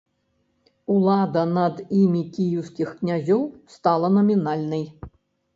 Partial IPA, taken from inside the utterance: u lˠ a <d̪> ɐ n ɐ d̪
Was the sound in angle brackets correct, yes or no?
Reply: yes